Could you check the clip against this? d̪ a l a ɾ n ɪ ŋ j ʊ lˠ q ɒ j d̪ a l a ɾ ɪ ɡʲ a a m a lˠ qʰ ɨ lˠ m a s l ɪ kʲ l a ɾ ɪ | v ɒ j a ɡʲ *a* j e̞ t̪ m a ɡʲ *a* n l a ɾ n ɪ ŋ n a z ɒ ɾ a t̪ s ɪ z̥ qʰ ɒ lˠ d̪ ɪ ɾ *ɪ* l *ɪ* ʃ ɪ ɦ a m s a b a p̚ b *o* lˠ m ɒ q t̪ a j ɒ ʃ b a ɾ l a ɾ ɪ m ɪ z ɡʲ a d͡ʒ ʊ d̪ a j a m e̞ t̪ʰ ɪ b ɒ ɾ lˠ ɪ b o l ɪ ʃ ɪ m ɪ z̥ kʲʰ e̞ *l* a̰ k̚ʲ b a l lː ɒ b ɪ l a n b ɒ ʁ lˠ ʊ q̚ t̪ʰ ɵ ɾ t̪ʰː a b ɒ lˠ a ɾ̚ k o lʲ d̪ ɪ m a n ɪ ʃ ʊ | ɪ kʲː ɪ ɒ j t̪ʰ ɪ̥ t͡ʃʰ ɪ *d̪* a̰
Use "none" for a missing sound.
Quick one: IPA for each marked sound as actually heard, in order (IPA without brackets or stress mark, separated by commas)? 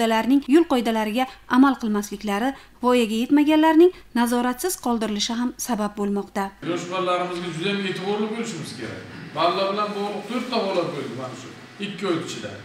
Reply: a, a, ɪ, ɪ, o, ɾ, d̪